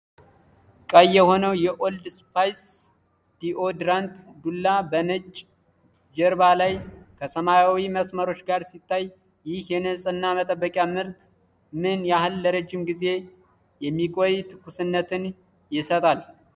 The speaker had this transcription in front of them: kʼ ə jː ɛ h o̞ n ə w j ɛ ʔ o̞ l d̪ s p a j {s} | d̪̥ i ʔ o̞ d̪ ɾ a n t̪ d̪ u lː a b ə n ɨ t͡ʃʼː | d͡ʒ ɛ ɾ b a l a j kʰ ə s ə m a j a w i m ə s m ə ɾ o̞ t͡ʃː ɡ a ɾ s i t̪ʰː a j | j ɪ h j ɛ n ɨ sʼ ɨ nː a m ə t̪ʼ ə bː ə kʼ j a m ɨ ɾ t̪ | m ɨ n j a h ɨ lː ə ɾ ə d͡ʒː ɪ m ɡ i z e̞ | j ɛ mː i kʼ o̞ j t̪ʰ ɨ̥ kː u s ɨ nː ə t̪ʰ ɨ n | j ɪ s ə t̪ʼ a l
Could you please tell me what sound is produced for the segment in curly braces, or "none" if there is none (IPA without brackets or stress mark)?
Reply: s